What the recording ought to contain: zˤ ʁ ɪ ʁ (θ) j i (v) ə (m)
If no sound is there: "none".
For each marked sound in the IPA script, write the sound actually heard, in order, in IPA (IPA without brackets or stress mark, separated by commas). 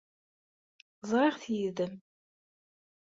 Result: θ, ð, m